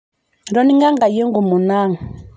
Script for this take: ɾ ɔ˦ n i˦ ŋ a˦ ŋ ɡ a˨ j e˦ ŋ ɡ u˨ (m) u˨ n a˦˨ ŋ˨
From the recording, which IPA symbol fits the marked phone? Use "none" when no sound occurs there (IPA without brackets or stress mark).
m